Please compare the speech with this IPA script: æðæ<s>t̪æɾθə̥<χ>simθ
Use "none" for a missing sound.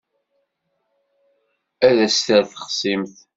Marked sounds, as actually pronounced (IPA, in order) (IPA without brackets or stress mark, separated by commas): s, χ